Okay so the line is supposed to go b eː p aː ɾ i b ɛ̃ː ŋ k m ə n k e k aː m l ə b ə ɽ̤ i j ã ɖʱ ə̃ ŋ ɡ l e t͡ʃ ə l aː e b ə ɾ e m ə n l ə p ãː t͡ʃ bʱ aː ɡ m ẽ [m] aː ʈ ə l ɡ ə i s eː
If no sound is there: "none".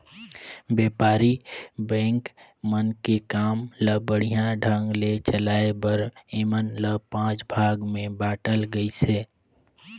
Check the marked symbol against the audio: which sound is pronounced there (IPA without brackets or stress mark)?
b